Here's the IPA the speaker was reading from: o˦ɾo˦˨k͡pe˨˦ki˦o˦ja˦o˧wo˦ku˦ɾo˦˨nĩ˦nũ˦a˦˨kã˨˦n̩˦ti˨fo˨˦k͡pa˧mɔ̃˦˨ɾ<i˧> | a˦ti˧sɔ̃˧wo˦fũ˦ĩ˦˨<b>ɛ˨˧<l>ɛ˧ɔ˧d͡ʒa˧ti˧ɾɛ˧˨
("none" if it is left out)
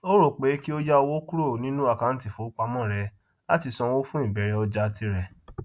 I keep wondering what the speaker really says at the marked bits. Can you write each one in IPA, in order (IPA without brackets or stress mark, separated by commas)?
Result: ɛ˧, b, ɾ